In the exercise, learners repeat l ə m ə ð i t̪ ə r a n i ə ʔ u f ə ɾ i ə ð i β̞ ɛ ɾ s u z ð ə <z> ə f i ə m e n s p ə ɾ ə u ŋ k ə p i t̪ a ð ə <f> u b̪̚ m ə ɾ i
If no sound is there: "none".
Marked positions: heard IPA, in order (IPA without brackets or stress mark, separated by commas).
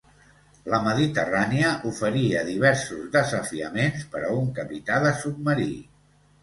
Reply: z, s